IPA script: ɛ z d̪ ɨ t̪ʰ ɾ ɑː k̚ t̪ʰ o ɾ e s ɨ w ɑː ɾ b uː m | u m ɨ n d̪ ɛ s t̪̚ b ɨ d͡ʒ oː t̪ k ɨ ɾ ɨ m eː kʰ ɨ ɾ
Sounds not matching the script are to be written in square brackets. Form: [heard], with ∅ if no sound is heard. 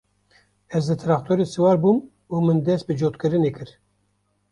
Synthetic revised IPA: ɛ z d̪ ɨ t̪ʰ ɾ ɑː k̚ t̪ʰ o ɾ e s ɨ w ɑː ɾ b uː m | u m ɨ n d̪ ɛ s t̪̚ b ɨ d͡ʒ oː t̪ k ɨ ɾ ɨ [n] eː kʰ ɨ ɾ